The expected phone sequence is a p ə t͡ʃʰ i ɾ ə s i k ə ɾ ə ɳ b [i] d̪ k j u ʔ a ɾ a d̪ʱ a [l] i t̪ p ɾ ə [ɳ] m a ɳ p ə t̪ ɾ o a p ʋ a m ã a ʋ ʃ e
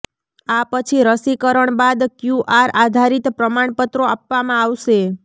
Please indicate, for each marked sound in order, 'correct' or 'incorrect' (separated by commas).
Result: incorrect, incorrect, incorrect